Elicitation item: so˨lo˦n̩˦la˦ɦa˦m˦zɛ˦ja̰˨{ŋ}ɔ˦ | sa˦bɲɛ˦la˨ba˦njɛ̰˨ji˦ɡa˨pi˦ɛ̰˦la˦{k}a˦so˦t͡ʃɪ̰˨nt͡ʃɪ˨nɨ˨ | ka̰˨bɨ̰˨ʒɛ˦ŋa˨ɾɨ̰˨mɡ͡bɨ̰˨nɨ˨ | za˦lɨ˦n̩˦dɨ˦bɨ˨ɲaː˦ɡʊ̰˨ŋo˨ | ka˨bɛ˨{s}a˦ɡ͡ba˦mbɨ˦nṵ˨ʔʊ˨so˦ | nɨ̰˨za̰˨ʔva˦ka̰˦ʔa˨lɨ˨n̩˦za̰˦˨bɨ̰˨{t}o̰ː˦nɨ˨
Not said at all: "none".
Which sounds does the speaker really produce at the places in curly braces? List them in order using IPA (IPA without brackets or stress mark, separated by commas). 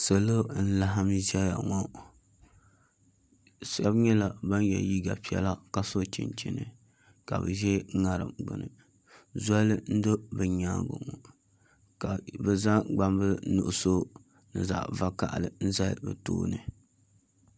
ŋ, k, z, t